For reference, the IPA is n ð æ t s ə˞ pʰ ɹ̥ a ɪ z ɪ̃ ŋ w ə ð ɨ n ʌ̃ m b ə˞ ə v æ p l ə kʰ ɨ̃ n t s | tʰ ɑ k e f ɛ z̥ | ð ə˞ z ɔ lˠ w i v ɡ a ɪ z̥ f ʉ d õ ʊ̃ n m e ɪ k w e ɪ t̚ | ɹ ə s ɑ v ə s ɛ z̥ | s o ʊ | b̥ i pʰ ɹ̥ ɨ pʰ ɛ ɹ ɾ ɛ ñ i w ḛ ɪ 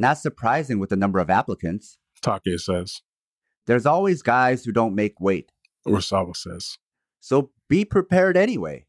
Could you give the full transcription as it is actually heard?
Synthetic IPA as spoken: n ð æ t s ə˞ pʰ ɹ̥ a ɪ z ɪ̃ ŋ w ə ð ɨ n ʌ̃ m b ə˞ ʌ v æ p l ə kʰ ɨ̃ n t s | tʰ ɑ k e s ɛ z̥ | ð ə˞ z ɔ lˠ w i z ɡ a ɪ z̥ h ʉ d õ ʊ̃ n m e ɪ k w e ɪ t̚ | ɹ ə s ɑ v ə s ɛ z̥ | s o ʊ | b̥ i pʰ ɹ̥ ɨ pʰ ɛ ɹ ɾ ɛ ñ i w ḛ ɪ